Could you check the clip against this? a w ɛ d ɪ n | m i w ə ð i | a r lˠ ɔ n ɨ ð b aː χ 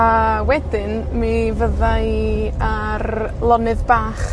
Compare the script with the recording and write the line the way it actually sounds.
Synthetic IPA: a w ɛ d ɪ n | m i v ə ð a | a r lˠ ɔ n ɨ ð b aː χ